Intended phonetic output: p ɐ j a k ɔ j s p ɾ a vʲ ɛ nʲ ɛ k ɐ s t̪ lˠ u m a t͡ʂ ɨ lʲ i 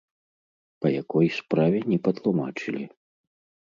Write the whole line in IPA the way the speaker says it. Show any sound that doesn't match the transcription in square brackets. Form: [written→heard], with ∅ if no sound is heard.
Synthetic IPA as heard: p ɐ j a k ɔ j s p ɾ a vʲ ɛ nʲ ɛ [k→p] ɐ [s→∅] t̪ lˠ u m a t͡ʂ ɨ lʲ i